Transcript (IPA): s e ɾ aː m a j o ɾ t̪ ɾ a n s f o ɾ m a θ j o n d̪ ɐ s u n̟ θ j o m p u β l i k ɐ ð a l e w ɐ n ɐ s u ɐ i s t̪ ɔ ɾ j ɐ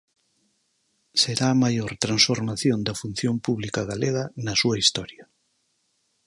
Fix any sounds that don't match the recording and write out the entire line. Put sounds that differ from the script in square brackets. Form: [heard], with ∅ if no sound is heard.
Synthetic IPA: s e ɾ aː m a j o ɾ t̪ ɾ a n s f o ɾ m a θ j o n d̪ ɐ [f] u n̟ θ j o m p u β l i k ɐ [ɣ] a l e [ɣ] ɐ n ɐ s u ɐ i s t̪ ɔ ɾ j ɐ